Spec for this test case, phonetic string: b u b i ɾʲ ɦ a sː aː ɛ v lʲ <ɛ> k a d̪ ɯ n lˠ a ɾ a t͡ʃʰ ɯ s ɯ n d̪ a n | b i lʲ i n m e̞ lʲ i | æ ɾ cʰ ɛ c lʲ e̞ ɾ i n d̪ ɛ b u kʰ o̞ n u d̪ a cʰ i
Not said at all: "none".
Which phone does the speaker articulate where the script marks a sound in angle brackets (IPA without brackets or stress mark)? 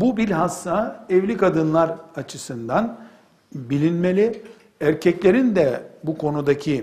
i